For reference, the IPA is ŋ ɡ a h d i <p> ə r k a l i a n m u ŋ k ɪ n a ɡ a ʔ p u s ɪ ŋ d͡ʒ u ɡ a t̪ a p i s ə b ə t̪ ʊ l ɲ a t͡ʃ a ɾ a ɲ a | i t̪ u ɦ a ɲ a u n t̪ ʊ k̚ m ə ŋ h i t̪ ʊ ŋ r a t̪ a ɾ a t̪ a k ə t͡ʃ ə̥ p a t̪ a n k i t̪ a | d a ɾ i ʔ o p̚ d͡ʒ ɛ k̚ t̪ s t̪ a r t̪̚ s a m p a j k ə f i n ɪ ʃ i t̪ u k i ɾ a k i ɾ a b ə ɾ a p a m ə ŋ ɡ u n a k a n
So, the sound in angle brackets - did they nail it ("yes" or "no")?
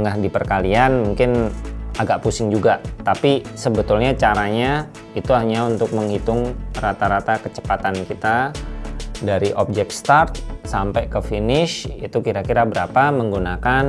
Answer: yes